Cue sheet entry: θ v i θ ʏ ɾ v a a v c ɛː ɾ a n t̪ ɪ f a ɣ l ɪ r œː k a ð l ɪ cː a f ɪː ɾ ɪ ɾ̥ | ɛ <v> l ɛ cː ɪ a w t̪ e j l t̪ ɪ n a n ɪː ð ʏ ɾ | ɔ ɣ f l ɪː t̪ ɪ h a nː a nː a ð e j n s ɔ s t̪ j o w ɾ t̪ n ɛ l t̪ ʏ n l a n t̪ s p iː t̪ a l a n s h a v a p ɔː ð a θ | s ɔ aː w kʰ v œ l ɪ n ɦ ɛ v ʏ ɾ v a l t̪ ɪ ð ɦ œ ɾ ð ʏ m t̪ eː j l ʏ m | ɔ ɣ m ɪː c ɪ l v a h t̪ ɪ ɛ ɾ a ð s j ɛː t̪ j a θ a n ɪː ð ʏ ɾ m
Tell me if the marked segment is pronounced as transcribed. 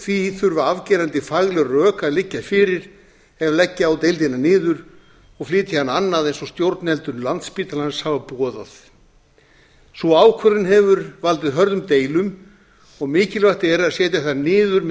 yes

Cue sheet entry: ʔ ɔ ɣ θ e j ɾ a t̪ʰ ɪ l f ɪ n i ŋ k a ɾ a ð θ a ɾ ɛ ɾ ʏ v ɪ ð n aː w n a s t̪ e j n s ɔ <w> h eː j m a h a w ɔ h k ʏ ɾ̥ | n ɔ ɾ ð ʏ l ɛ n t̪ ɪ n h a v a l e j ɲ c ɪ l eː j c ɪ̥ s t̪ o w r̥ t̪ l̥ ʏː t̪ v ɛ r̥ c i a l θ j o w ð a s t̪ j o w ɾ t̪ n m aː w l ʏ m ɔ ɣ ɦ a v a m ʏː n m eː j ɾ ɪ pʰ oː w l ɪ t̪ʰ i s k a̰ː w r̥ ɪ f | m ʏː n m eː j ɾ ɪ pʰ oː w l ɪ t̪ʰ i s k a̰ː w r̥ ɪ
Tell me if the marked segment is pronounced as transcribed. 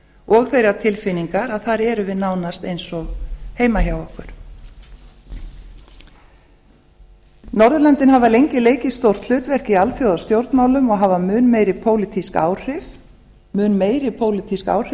no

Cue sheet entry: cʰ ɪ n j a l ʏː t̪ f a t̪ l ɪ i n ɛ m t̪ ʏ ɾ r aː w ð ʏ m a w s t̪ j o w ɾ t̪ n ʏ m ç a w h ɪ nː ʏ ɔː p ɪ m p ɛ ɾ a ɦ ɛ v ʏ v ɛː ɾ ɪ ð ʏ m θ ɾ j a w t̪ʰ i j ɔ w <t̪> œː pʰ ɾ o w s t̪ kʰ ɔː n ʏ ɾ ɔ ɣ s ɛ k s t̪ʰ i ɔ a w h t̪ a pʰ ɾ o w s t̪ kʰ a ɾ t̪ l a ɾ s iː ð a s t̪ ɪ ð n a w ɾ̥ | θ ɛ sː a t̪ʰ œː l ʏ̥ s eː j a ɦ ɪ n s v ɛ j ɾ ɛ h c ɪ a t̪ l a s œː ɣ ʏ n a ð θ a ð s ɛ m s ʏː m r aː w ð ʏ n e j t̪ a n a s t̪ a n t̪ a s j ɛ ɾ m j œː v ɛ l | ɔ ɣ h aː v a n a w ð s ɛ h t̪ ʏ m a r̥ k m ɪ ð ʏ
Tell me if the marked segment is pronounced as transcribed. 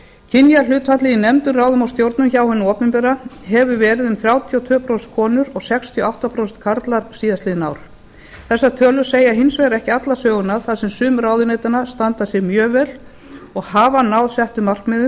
no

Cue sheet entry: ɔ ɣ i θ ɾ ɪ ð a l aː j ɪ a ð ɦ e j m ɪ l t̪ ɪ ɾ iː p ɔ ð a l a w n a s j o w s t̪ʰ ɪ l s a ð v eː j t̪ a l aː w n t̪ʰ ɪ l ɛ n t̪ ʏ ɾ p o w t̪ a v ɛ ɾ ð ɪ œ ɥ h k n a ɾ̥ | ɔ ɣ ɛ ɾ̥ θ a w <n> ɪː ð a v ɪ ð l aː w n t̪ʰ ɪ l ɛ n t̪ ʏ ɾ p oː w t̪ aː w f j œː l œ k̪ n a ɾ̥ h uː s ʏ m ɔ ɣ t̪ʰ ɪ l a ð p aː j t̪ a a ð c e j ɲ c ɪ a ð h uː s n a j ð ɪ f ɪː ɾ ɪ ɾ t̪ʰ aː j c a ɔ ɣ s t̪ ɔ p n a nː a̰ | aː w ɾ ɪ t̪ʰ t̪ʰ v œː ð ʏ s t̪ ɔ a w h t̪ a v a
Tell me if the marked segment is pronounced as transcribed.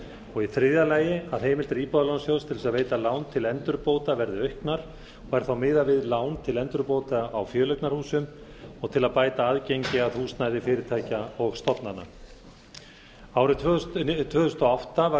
no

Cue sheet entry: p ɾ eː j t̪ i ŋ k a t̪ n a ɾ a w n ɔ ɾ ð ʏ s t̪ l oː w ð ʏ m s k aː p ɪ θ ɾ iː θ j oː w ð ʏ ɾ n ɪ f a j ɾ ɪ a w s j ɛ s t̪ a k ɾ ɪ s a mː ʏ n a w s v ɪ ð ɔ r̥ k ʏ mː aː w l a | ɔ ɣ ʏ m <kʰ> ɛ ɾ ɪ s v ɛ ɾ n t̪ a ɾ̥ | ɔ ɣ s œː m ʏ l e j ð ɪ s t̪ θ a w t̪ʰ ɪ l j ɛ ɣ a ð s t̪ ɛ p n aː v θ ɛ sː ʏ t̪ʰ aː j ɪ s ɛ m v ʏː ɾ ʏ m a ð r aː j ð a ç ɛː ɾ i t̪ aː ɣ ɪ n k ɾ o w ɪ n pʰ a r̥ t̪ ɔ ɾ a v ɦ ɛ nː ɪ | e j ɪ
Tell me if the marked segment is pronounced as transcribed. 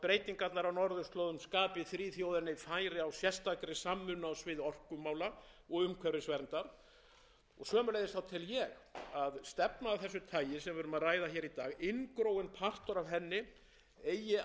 yes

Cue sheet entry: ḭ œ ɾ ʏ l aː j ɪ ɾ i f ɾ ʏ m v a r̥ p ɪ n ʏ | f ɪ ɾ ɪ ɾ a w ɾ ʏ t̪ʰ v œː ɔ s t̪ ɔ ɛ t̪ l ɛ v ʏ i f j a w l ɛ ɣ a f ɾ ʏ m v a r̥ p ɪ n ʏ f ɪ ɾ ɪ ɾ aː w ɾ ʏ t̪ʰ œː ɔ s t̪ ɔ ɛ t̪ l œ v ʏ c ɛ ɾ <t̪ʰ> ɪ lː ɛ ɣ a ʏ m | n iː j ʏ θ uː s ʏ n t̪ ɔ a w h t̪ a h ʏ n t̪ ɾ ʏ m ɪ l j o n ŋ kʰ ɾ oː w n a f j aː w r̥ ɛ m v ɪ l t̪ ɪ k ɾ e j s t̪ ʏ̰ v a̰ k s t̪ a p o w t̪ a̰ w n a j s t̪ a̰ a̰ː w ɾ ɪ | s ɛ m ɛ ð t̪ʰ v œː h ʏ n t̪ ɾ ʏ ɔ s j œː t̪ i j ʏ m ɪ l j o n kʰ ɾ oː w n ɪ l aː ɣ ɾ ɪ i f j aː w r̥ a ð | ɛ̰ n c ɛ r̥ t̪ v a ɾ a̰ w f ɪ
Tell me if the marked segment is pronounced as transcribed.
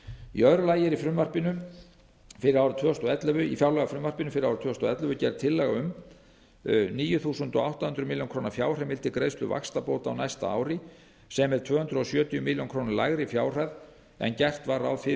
yes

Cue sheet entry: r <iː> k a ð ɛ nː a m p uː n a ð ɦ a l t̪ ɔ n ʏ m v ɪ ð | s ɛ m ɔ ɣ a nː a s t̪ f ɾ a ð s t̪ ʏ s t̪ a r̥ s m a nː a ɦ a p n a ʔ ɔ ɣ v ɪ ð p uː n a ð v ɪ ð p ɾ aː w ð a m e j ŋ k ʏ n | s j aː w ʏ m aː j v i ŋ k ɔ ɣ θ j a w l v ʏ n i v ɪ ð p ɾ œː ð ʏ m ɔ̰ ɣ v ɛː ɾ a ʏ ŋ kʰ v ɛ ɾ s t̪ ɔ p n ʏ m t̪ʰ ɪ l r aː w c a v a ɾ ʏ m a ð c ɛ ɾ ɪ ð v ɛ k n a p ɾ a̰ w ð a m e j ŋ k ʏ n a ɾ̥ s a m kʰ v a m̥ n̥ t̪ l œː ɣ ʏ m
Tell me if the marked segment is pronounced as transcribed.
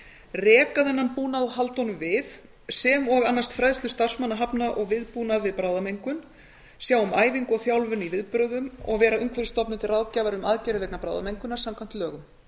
no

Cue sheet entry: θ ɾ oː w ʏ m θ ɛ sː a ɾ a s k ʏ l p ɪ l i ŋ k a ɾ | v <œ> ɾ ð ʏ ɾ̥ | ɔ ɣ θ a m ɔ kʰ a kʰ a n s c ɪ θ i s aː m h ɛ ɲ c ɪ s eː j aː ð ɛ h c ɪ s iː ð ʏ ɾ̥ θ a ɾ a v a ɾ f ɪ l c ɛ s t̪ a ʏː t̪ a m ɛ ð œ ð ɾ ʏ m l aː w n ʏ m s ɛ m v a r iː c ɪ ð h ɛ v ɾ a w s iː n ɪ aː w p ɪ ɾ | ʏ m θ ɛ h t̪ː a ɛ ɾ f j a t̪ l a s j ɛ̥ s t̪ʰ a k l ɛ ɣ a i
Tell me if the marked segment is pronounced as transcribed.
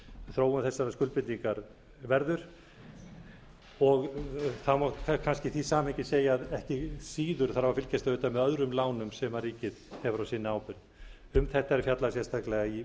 no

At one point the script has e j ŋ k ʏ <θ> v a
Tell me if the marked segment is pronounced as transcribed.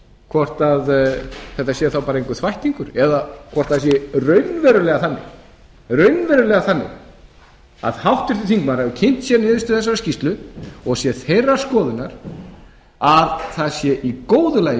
yes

